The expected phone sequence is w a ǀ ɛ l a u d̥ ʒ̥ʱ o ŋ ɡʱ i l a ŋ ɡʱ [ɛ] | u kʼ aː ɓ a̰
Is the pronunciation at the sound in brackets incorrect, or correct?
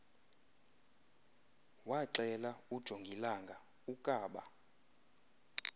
incorrect